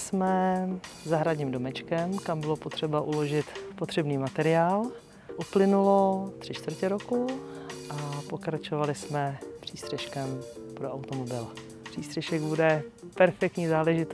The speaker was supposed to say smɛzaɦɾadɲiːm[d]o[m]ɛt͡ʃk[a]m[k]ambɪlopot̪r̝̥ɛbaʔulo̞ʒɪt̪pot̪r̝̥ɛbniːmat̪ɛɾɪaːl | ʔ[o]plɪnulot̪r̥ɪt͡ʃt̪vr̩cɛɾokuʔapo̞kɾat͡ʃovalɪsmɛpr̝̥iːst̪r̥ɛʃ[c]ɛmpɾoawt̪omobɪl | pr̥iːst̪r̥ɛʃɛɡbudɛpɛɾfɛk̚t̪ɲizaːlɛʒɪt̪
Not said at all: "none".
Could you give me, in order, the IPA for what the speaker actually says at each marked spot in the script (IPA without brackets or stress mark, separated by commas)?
d, m, ɛ, k, u, k